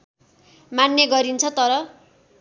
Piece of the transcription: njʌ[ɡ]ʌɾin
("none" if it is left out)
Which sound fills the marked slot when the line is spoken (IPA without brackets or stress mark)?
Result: ɡ